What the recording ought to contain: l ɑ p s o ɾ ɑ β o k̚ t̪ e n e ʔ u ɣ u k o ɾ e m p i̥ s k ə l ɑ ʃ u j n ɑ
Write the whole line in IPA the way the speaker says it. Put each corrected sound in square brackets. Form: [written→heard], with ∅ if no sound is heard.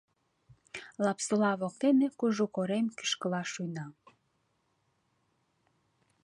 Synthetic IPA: l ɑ p s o [ɾ→l] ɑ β o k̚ t̪ e n e [ʔ→k] u [ɣ→ʒ] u k o ɾ e m [p→k] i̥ [s→ʃ] k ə l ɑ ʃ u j n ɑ

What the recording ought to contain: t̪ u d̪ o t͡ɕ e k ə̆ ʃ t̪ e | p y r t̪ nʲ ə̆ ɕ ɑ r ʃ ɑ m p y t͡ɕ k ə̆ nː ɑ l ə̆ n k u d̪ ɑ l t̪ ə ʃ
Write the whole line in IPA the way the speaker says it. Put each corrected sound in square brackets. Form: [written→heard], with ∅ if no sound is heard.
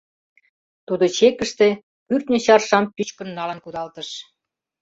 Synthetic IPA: t̪ u d̪ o t͡ɕ e k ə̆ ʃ t̪ e | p y r t̪ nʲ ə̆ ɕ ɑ r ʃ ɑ m p y t͡ɕ k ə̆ nː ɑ l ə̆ n k u d̪ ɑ l t̪ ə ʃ

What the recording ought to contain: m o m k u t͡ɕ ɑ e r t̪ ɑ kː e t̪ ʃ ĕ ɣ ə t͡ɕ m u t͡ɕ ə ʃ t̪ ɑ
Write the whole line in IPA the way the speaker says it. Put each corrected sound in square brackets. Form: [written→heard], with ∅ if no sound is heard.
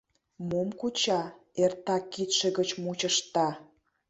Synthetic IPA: m o m k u t͡ɕ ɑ e r t̪ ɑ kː [e→i] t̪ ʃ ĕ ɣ ə t͡ɕ m u t͡ɕ ə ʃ t̪ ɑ

